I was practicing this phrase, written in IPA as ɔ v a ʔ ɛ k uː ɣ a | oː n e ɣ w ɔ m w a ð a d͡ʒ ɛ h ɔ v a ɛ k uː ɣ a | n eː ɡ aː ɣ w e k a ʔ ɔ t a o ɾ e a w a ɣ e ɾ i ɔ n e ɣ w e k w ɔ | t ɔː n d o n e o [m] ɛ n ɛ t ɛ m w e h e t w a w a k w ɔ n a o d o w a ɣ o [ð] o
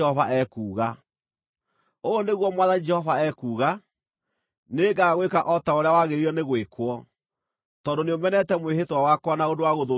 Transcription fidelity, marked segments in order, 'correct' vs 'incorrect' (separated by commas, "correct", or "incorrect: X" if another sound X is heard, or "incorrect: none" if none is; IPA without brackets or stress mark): correct, correct